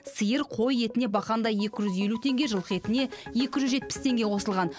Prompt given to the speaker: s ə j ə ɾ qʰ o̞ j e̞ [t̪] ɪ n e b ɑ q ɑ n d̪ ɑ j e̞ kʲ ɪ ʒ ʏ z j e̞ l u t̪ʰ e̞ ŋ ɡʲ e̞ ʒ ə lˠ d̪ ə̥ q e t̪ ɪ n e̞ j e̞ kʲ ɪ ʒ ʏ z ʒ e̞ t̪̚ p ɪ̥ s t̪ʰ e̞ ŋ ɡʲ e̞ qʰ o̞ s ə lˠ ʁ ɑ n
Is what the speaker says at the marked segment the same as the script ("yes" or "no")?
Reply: yes